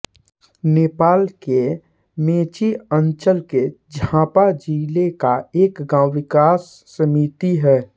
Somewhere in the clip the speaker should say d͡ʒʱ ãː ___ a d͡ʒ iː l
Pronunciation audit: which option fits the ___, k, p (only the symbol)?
p